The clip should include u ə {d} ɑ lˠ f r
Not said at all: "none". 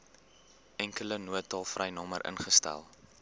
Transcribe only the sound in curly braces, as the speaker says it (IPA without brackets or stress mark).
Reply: t